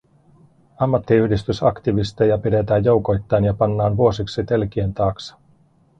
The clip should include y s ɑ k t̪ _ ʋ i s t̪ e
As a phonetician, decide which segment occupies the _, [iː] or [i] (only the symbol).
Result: i